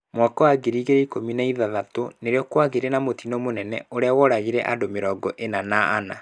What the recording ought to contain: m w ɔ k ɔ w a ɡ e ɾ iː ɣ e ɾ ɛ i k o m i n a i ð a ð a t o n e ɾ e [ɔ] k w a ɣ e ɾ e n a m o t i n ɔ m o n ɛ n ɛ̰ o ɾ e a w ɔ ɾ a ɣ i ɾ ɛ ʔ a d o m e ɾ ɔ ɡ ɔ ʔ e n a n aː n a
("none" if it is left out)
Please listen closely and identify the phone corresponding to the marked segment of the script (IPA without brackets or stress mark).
ɔ